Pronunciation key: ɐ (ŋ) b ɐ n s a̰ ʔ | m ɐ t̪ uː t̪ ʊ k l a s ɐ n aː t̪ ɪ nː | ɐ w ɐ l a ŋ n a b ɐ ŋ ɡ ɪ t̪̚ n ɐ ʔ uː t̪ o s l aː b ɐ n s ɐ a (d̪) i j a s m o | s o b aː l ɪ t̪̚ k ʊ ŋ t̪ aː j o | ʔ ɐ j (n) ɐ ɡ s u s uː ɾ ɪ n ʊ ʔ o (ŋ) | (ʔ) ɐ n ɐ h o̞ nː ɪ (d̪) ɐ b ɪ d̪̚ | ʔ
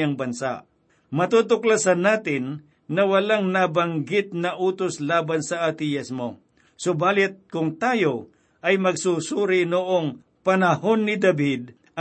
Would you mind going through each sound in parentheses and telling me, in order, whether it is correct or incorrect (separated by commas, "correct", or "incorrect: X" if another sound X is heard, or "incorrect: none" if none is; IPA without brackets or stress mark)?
correct, incorrect: t̪, incorrect: m, correct, incorrect: p, correct